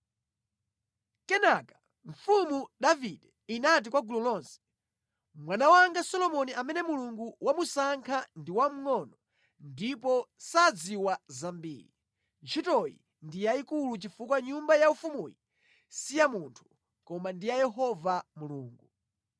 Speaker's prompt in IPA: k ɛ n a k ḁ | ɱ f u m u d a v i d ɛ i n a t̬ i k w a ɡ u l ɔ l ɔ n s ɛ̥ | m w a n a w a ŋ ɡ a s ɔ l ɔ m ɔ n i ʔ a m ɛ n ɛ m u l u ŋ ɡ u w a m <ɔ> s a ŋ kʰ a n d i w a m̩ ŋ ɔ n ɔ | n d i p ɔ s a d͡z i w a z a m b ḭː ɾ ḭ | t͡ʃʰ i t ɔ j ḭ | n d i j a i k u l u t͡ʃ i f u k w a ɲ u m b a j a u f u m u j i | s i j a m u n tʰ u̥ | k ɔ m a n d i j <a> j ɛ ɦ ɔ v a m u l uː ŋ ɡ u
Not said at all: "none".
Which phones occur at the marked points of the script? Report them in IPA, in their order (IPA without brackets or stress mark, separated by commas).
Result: u, a